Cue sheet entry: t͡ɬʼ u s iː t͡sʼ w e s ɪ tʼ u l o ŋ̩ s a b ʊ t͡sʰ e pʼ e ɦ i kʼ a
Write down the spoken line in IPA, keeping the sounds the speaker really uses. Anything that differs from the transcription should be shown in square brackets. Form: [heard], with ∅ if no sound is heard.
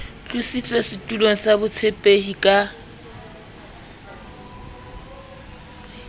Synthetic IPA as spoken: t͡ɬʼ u s [i] t͡sʼ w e s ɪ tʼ u l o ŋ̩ s a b ʊ t͡sʰ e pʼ e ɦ i kʼ a